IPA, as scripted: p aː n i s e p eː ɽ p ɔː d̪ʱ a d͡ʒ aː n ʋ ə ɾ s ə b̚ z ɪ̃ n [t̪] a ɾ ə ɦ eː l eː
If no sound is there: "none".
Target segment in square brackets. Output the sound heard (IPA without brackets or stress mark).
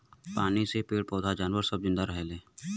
d̪